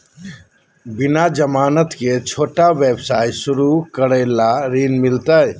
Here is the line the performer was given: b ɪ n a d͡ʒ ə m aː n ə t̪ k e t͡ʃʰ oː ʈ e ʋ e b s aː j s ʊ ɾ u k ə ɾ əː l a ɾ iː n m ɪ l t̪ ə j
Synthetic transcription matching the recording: b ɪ n a d͡ʒ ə m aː n ə t̪ k e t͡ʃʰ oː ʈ a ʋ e b s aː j s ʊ ɾ u k ə ɾ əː l a ɾ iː n m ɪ l t̪ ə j